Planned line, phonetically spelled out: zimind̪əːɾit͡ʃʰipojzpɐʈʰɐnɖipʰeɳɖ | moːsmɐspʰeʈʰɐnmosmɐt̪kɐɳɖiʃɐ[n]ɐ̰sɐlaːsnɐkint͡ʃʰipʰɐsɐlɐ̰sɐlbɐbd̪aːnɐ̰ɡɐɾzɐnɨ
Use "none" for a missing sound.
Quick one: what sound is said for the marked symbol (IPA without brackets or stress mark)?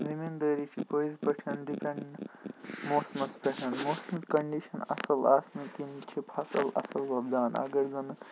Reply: n